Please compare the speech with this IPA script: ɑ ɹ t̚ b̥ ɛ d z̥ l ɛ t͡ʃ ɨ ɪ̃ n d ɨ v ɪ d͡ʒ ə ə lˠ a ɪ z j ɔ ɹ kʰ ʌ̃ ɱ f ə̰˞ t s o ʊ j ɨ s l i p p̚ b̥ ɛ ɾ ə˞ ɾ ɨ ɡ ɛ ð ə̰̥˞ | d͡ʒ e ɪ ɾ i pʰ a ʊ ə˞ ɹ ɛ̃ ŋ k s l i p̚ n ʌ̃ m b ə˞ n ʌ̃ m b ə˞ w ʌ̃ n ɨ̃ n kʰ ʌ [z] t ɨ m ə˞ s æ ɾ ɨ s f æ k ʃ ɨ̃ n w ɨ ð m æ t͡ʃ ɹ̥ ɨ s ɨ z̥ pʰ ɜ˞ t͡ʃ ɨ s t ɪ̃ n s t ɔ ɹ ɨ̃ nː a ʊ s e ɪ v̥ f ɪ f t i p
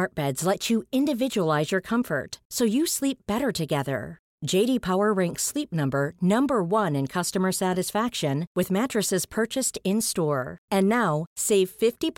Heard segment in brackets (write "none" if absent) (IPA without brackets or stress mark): s